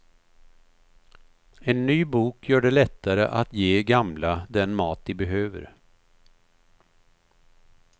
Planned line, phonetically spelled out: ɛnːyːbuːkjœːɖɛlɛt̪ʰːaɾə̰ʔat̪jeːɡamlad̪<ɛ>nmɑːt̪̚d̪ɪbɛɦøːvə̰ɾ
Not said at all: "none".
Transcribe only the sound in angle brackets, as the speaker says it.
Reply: ɛ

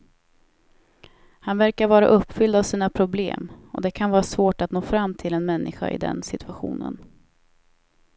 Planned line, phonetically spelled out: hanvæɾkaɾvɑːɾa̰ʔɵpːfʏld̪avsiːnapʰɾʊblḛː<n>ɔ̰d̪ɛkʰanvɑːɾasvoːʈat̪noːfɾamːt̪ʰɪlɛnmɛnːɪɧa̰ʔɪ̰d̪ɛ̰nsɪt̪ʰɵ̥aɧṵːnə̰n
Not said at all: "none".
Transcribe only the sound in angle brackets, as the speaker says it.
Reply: m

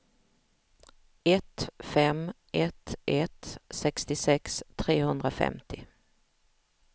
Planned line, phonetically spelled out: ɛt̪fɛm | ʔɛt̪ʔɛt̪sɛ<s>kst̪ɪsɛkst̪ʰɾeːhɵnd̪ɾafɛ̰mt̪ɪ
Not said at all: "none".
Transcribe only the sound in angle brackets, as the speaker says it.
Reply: none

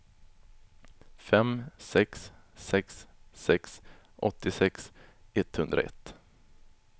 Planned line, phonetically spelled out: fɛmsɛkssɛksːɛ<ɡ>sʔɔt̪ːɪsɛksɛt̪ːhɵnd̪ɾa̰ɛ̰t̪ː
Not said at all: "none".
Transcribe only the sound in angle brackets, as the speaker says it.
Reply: k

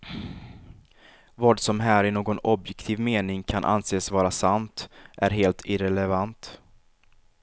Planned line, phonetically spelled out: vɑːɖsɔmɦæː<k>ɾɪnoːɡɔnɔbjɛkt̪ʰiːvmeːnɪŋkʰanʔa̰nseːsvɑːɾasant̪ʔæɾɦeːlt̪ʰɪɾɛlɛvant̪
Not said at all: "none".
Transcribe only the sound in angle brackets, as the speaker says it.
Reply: none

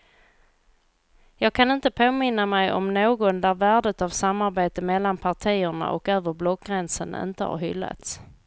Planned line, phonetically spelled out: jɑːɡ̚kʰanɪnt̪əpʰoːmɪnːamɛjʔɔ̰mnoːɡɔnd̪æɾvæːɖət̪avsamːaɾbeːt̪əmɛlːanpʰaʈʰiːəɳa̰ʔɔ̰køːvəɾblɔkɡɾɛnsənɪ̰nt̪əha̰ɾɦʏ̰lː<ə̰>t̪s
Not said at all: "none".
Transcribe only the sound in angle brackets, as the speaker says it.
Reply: a̰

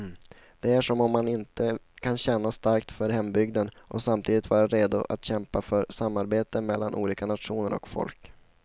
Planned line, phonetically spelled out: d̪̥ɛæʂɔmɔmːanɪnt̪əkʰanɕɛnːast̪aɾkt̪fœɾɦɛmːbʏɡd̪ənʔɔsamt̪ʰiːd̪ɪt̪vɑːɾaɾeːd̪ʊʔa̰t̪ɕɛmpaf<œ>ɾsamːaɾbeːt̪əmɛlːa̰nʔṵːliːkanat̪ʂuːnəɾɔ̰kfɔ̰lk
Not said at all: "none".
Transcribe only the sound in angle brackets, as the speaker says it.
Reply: œ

